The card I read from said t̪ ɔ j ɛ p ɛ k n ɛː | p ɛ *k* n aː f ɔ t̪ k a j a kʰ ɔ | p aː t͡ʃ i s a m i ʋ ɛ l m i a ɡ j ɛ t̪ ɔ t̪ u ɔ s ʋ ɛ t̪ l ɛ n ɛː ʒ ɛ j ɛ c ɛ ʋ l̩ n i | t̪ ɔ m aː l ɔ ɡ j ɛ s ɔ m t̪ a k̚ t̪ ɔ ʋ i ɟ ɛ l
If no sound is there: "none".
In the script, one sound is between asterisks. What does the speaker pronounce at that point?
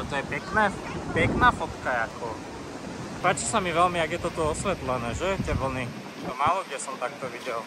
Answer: k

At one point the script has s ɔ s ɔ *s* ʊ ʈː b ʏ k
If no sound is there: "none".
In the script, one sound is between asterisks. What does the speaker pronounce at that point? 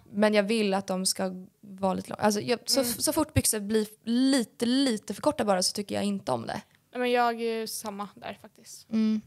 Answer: f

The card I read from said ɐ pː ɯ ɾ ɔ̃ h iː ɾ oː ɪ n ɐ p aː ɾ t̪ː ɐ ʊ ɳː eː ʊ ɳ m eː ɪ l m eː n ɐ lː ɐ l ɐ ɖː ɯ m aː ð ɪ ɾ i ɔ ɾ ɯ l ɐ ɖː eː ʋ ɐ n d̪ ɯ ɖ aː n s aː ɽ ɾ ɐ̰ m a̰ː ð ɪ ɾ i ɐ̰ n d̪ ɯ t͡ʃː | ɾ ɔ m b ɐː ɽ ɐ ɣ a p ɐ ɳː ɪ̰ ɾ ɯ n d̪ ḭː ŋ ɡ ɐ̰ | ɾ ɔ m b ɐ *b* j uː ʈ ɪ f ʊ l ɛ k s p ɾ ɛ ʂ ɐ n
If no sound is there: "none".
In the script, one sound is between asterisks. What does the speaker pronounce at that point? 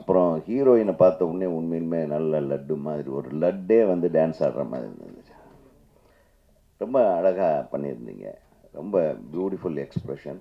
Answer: b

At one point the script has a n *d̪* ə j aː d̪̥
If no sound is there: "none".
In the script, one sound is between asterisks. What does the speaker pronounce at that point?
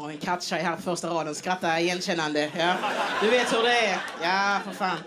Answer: d̪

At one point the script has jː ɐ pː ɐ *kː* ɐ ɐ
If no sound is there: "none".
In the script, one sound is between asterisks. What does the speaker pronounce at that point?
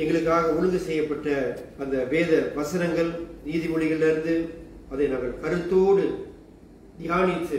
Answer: ʈː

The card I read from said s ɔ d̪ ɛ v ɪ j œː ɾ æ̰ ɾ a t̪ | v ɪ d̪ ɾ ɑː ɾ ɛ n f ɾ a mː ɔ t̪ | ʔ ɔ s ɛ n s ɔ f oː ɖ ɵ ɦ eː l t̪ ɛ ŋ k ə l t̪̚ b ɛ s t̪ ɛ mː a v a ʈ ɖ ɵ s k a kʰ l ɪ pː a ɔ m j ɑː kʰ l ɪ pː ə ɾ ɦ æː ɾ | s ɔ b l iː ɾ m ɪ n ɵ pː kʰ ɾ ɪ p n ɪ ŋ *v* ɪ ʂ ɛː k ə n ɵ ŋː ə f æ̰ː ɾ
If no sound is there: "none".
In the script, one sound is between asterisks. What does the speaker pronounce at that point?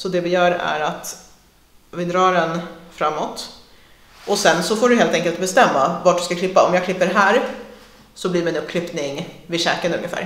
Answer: v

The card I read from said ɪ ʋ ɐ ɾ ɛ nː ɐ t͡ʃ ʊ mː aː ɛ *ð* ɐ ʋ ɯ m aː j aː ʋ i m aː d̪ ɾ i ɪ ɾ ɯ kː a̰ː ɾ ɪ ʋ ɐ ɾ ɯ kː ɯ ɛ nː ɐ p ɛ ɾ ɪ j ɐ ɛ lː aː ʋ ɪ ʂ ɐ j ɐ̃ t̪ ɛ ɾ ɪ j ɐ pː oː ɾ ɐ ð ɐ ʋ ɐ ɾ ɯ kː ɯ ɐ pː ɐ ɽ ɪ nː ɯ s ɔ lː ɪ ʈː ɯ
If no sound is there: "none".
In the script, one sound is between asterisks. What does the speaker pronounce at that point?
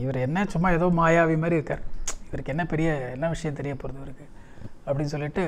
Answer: ð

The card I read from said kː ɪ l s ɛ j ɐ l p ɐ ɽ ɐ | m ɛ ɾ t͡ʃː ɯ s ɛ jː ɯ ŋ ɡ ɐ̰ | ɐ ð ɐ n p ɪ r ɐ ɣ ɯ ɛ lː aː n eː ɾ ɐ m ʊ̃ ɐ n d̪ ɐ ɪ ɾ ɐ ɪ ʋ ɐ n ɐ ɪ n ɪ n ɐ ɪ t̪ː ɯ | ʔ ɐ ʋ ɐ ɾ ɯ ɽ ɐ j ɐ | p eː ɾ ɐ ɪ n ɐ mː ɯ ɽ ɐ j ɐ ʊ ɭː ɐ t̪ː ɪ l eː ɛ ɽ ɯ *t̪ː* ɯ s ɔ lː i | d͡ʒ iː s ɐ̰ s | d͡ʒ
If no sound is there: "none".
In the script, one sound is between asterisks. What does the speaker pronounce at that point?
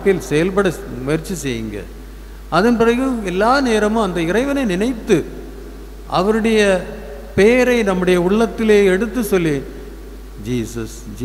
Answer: t̪ː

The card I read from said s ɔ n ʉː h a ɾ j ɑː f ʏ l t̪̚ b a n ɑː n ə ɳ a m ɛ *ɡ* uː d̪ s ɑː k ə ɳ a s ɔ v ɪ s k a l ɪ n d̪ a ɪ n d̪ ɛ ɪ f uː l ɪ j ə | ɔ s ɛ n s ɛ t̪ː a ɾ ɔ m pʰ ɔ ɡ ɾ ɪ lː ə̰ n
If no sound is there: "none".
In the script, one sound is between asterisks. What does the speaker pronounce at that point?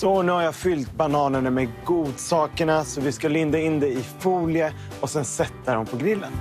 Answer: ɡ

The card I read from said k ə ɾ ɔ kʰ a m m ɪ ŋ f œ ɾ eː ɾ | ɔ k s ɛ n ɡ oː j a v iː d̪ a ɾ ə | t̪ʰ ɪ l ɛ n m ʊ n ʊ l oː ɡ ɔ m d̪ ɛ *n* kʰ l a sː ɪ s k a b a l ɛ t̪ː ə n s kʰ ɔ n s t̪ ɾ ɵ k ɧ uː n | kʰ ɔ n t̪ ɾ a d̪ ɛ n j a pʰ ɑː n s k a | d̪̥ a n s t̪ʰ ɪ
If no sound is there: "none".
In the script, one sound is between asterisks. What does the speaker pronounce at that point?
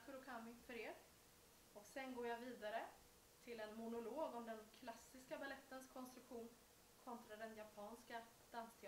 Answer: n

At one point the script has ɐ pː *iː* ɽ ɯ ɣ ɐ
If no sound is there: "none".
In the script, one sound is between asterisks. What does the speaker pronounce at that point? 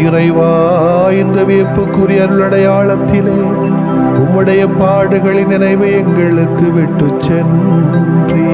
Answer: aː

